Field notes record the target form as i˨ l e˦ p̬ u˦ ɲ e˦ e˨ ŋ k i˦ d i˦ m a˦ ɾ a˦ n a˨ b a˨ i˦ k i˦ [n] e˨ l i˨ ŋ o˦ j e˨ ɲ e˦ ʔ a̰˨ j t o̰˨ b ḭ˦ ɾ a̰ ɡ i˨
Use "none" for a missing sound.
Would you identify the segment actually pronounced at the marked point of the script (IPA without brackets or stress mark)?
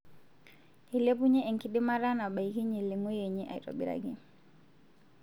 ɲ